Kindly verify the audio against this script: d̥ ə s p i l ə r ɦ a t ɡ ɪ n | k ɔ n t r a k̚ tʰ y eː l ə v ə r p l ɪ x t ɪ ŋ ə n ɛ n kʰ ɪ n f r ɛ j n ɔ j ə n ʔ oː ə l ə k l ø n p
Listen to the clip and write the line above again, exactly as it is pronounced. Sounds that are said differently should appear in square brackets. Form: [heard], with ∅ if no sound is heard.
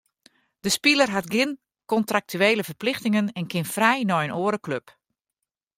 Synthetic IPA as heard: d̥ ə s p i l ə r ɦ a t ɡ ɪ n | k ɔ n t r a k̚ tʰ y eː l ə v ə r p l ɪ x t ɪ ŋ ə n ɛ n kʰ ɪ n f r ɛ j n ɔ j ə n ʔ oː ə [ɾ] ə k l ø [∅] p